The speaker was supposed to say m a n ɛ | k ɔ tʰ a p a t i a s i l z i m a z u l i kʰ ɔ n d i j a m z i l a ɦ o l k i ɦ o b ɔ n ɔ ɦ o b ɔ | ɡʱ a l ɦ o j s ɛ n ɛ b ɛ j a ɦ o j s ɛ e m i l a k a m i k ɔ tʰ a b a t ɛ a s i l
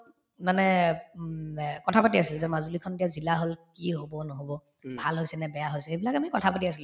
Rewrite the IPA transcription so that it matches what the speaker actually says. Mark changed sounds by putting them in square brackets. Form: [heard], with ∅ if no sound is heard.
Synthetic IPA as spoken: m a n ɛ | k ɔ tʰ a p a t i a s i l z [ɛ] m a z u l i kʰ ɔ n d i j a [∅] z i l a ɦ o l k i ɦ o b ɔ n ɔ ɦ o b ɔ | [bʱ] a l ɦ o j s ɛ n ɛ b ɛ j a ɦ o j s ɛ e [b] i l a k a m i k ɔ tʰ a [p] a t [i] a s i l